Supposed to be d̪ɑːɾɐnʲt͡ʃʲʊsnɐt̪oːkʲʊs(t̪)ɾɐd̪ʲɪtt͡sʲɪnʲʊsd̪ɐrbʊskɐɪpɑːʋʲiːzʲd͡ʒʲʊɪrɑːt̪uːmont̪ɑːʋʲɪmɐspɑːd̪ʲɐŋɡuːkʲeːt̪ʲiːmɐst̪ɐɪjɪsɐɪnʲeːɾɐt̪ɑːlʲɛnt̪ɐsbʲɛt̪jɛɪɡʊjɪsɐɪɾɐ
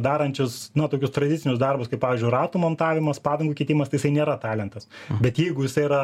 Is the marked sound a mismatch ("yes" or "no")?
no